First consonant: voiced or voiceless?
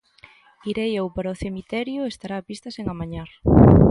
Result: voiced